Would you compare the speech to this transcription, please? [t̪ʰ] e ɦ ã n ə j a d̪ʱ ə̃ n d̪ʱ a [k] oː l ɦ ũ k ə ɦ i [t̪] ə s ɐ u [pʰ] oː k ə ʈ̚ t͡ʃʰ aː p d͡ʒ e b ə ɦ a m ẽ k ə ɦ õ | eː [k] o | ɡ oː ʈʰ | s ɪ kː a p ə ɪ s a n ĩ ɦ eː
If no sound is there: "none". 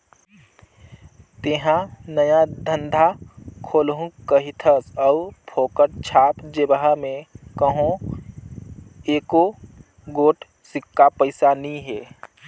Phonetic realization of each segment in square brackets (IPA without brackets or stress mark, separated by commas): t̪, kʰ, t̪ʰ, pʰ, k